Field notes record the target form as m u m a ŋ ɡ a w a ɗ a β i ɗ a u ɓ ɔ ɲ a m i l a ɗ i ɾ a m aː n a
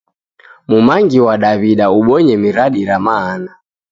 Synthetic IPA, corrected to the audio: m u m a ŋ ɡ i w a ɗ a β i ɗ a u ɓ ɔ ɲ ɛ m i ɾ a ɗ i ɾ a m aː n a